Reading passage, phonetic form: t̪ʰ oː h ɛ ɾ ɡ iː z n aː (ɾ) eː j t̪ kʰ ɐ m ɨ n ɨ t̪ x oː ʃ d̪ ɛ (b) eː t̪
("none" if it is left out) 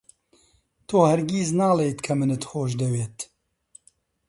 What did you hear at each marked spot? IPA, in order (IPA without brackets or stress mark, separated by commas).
l, w